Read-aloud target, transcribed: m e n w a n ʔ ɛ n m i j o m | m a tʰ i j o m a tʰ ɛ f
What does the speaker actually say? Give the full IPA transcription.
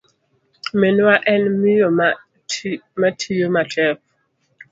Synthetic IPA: m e n w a ʔ ɛ n m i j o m | m a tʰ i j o m a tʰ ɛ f